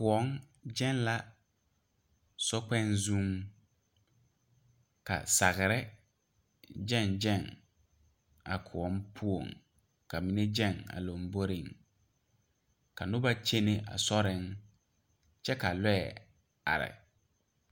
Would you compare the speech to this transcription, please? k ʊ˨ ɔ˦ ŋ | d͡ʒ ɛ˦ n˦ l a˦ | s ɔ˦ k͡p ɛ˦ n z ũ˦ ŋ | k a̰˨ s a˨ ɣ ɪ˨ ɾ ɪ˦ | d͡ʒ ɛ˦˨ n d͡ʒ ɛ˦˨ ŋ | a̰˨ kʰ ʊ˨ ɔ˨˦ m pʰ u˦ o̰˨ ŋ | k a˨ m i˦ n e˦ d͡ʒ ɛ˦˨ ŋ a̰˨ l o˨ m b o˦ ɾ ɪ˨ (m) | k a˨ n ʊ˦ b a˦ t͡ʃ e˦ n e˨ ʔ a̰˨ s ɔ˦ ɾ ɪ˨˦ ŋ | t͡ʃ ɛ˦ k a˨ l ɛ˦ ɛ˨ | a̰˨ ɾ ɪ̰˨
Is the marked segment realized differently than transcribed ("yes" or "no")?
yes